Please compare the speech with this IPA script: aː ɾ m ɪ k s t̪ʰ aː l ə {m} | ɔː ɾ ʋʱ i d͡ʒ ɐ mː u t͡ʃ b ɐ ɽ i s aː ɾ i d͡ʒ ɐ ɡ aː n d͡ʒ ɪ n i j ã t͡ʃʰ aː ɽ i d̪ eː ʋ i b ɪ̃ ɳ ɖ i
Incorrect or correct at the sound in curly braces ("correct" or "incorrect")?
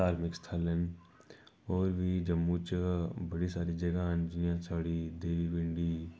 incorrect